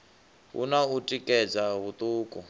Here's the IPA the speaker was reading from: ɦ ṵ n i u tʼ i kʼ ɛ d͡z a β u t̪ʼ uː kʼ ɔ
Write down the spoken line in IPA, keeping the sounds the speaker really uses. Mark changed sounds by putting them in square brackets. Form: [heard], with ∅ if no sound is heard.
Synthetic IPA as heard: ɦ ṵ n [a] u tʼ i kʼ ɛ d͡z a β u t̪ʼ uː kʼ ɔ